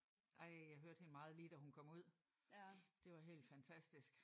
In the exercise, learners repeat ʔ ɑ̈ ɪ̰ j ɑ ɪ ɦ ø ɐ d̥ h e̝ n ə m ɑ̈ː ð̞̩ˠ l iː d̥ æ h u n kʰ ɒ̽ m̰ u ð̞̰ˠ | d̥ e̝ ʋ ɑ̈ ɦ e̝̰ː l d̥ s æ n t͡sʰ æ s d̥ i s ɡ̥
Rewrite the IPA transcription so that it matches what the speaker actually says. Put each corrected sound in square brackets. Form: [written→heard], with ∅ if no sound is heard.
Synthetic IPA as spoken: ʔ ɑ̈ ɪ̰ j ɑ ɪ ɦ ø ɐ d̥ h e̝ n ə m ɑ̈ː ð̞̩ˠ l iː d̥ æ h u n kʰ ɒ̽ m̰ u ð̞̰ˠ | d̥ e̝ ʋ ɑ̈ ɦ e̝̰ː l d̥ [s→f] æ n t͡sʰ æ s d̥ i s ɡ̥